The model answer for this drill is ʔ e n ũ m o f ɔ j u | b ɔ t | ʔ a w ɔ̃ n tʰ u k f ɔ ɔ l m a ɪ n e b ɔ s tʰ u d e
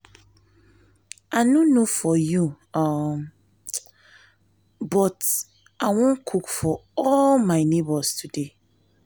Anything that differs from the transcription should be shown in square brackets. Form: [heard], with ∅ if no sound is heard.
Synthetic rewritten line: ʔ [a] n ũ [n] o f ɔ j u | b ɔ t | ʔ a w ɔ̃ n [kʰ] u k f ɔ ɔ l m a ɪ n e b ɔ s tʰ u d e